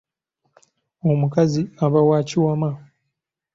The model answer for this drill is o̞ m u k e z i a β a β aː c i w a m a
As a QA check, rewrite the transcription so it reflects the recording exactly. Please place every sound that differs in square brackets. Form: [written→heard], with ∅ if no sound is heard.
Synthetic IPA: o̞ m u k [e→a] z i a β a [β→w] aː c i w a m a